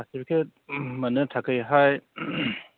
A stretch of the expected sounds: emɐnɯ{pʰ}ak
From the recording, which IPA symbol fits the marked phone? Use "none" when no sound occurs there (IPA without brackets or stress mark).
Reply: tʰ